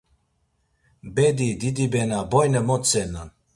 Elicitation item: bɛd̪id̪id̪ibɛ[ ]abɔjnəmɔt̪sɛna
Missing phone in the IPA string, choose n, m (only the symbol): n